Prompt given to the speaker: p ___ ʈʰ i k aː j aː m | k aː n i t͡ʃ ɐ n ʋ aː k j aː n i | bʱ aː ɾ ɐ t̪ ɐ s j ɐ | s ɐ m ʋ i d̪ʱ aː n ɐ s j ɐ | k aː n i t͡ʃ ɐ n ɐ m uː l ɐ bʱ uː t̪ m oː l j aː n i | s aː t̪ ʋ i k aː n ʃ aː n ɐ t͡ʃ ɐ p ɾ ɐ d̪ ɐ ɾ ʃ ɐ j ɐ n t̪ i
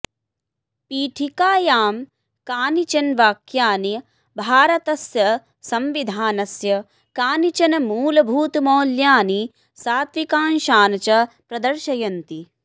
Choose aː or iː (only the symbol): iː